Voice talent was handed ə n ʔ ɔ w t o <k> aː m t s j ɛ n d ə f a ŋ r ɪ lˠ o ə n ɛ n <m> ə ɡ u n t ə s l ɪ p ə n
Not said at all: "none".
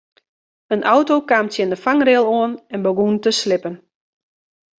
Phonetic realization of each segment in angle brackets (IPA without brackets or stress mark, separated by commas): k, b